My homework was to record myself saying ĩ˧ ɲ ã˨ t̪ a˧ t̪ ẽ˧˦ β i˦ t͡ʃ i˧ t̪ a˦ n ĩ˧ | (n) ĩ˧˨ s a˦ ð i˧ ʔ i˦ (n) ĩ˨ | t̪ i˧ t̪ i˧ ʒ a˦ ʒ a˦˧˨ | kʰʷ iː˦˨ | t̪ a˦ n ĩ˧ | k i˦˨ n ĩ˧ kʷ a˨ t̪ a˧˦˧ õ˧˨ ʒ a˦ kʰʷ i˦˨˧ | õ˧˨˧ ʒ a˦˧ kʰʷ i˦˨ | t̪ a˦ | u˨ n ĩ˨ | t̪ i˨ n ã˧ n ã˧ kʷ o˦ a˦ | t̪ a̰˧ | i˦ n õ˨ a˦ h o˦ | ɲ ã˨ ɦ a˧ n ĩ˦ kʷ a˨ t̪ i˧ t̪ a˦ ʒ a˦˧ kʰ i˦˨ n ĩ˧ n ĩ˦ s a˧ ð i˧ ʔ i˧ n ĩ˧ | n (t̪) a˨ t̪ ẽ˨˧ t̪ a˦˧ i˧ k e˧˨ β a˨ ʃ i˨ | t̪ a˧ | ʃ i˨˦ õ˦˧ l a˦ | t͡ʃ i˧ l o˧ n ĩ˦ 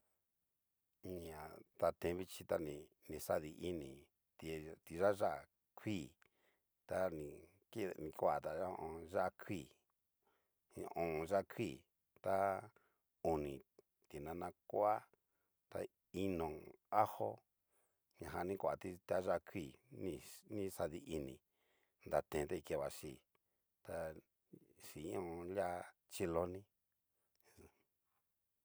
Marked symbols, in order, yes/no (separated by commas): yes, yes, no